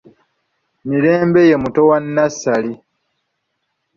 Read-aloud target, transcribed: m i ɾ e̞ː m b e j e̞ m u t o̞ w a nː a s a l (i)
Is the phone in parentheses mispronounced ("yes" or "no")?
no